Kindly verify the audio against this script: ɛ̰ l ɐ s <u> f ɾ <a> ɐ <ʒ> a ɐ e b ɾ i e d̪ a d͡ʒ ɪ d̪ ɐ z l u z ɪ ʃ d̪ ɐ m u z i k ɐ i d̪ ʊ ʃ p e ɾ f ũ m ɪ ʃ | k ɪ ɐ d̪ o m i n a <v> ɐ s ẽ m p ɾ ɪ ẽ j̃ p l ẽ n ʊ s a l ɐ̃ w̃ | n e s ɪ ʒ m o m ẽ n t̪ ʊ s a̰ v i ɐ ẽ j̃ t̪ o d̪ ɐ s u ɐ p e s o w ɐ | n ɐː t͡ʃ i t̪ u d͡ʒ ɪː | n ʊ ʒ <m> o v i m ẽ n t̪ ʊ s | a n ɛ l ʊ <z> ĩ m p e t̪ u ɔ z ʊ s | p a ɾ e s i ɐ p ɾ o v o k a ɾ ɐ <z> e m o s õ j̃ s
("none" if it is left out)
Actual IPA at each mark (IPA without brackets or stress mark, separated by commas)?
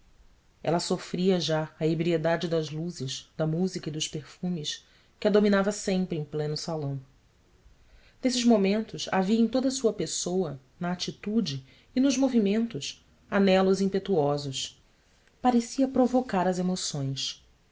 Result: o, i, ʒ, v, m, z, z